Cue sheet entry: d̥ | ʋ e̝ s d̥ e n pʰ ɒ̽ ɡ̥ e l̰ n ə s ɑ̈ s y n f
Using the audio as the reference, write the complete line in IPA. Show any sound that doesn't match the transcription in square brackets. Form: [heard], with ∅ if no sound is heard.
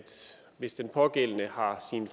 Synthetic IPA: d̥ | ʋ e̝ s d̥ e n pʰ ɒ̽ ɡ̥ e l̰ n ə [h] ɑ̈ s [i] n f